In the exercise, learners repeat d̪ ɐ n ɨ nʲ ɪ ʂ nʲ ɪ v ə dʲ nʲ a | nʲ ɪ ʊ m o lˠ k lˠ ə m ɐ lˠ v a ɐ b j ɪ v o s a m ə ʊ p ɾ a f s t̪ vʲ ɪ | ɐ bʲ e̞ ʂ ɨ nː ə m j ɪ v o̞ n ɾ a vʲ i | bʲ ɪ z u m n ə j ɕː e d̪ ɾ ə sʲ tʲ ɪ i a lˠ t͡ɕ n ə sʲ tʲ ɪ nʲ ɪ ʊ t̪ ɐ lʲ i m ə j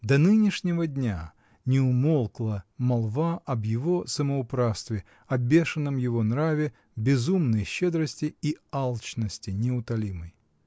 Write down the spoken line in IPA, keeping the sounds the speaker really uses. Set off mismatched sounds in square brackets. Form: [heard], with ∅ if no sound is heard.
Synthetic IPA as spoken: d̪ ɐ n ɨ nʲ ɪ ʂ nʲ ɪ v ə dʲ nʲ a | nʲ ɪ ʊ m o lˠ k lˠ ə m ɐ lˠ v a ɐ b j ɪ v o s [ə] m ə ʊ p ɾ a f s t̪ vʲ ɪ | ɐ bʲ e̞ ʂ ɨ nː ə m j ɪ v o̞ n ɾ a vʲ [ɪ] | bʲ ɪ z u m n ə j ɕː e d̪ ɾ ə sʲ tʲ ɪ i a lˠ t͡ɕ n ə sʲ tʲ ɪ nʲ ɪ ʊ t̪ ɐ lʲ i m ə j